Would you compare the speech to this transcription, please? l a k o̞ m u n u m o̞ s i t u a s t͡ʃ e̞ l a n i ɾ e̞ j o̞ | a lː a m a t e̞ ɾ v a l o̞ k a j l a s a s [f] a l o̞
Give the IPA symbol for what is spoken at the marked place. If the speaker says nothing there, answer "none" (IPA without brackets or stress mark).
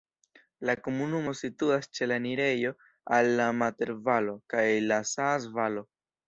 v